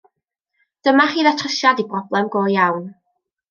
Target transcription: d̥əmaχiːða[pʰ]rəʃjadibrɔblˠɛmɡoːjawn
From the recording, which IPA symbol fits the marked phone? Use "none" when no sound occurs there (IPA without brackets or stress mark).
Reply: tʰ